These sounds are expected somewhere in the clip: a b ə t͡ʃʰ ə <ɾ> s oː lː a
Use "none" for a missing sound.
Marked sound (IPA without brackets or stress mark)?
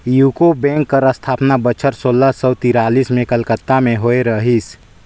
ɾ